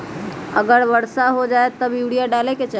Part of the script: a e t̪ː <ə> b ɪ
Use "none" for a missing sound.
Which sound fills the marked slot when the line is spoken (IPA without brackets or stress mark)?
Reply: ə